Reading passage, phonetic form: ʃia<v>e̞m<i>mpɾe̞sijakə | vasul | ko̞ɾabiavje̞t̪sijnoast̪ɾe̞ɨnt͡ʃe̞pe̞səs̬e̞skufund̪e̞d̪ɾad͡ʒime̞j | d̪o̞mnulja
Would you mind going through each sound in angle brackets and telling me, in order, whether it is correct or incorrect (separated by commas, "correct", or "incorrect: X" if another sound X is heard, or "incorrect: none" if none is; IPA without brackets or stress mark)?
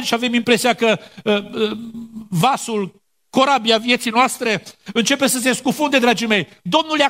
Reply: correct, correct